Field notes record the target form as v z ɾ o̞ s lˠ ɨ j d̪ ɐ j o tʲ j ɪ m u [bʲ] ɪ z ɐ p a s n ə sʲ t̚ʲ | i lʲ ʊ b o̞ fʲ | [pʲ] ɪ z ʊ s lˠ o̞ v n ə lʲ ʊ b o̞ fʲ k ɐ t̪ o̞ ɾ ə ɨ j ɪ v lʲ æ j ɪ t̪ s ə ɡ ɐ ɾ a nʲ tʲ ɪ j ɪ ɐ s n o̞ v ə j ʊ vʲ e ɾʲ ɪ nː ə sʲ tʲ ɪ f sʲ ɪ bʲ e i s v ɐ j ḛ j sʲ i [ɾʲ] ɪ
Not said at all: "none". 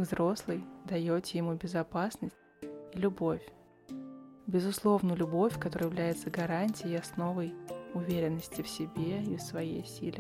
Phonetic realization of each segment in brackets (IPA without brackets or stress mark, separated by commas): bʲ, bʲ, lʲ